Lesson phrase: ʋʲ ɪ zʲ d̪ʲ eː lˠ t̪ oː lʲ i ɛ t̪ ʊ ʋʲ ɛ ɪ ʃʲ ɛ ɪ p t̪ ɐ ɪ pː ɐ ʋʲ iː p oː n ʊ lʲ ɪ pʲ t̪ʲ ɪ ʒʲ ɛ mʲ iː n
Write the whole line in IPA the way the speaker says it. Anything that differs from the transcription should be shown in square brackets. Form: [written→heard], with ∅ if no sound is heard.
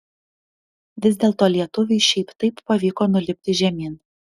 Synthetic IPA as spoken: ʋʲ ɪ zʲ d̪ʲ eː lˠ t̪ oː lʲ i ɛ t̪ ʊ ʋʲ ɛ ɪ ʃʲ ɛ ɪ p t̪ ɐ ɪ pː ɐ ʋʲ iː [p→k] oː n ʊ lʲ ɪ pʲ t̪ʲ ɪ ʒʲ ɛ mʲ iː n